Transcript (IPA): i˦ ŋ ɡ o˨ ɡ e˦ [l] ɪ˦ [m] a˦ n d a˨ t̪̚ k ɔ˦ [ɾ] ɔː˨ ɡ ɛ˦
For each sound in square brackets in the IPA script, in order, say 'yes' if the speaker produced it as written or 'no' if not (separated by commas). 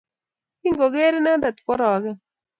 no, no, yes